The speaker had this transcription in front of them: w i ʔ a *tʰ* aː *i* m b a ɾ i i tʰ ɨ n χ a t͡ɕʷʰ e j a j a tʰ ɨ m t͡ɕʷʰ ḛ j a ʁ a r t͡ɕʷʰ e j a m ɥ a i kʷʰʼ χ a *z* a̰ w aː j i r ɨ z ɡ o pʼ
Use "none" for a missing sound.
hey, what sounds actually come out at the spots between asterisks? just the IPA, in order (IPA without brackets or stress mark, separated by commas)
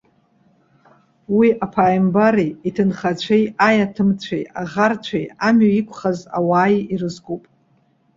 pʰ, j, z